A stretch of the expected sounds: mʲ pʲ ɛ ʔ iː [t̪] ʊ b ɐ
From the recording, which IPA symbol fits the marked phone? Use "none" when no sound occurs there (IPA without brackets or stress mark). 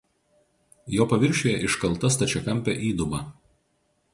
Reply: d̪